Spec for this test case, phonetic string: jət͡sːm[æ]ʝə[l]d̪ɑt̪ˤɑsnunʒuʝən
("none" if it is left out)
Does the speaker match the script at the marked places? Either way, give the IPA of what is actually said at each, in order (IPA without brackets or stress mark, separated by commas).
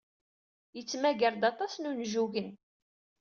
æ, ɾ